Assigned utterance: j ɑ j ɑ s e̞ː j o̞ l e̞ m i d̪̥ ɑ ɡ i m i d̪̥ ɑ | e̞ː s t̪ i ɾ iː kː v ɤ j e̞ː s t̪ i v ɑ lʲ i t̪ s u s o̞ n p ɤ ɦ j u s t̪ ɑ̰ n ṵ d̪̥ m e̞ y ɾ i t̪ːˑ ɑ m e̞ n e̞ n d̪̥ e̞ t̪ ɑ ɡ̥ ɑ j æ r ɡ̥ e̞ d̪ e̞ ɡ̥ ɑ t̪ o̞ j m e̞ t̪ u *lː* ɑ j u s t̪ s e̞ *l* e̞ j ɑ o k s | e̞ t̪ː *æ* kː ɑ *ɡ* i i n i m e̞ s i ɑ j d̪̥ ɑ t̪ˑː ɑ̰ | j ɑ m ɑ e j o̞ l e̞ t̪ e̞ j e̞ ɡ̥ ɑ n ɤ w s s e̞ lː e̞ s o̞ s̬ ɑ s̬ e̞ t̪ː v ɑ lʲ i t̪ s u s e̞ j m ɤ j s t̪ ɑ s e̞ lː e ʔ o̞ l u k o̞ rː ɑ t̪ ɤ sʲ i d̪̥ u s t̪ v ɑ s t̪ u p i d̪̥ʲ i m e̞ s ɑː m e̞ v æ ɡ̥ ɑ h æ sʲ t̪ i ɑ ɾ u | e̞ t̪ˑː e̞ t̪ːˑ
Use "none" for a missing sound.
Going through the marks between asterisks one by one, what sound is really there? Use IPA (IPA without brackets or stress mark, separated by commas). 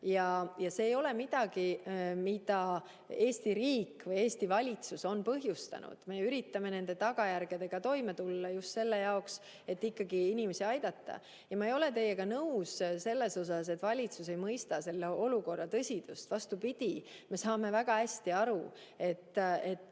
lː, lː, i, ɡ